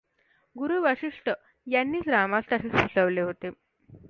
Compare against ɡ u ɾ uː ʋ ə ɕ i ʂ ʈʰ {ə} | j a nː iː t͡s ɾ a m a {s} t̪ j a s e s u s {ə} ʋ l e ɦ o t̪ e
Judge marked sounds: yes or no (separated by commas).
yes, yes, yes